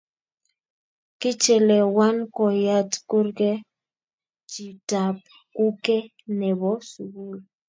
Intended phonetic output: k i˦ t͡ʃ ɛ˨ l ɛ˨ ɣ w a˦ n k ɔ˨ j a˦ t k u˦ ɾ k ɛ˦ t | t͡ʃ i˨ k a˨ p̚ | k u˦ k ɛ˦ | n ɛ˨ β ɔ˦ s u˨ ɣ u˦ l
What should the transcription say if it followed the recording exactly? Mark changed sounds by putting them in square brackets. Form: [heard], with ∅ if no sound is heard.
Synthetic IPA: k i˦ t͡ʃ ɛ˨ l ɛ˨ [∅] w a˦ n k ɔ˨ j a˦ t k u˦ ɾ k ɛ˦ [∅] | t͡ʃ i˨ [t] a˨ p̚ | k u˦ k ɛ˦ | n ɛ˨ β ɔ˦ s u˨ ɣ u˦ l